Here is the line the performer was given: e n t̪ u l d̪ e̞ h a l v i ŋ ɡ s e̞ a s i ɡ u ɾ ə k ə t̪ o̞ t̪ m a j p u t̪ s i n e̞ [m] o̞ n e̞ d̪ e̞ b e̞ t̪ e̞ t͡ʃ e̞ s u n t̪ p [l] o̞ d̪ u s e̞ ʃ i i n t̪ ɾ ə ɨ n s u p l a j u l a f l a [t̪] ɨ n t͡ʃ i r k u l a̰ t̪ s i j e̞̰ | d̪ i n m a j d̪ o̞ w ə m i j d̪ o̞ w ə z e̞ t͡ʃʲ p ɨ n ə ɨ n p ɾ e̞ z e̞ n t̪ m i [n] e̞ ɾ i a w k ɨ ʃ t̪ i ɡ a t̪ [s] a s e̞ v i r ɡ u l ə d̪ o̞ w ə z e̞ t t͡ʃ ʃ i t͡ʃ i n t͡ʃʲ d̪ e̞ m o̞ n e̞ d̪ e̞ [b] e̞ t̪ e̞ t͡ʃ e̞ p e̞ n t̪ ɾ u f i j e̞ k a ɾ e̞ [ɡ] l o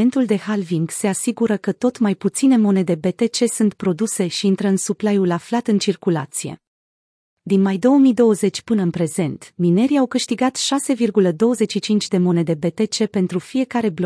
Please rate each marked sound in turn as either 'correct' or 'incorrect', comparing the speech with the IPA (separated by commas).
correct, incorrect, correct, correct, incorrect, correct, incorrect